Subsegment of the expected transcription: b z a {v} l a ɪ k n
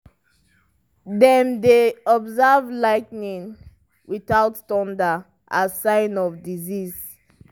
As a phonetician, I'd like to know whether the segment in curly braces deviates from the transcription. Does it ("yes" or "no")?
no